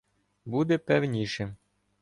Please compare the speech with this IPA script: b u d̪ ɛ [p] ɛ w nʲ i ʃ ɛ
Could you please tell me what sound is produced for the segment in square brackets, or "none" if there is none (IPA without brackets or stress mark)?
p